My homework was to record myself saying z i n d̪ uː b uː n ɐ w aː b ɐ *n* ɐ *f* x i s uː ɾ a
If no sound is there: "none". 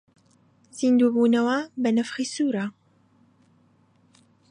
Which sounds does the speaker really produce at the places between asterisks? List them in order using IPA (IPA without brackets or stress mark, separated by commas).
n, f